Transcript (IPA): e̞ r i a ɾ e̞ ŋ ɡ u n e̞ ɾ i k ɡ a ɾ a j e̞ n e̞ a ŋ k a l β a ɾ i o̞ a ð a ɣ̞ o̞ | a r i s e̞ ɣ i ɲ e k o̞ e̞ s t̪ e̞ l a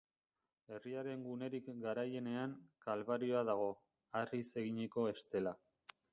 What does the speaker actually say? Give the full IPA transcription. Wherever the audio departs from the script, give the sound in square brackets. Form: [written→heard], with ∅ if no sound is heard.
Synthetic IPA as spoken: e̞ r i a ɾ e̞ ŋ ɡ u n e̞ ɾ i k ɡ a ɾ a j e̞ n e̞ a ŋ k a l β a ɾ i o̞ a ð a ɣ̞ o̞ | a r i s e̞ ɣ i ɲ e k o̞ e̞ s t̪ e̞ l a